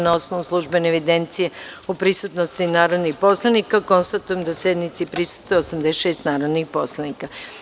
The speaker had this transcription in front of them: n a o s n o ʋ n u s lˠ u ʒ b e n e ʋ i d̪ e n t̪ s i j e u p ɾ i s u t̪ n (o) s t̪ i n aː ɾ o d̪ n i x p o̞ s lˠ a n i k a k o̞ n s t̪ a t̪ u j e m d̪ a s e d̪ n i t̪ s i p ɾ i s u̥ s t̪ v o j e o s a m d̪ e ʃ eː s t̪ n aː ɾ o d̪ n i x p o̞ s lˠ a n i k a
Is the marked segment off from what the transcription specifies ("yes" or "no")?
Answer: no